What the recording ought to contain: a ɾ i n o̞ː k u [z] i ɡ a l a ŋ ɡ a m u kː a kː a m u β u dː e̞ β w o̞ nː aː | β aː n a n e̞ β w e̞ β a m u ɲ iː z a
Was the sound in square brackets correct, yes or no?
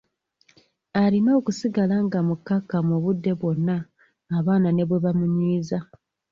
no